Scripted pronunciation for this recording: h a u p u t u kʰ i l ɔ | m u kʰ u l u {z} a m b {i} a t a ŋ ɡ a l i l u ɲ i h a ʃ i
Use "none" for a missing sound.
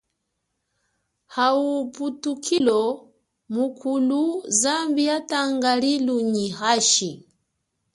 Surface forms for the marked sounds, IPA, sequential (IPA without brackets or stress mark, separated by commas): z, i